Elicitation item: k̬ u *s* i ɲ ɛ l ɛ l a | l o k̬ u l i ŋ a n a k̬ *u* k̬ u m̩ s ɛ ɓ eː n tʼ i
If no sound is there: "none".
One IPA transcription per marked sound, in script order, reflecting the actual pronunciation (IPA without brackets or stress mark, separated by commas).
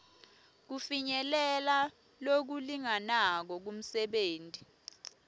f, ɔ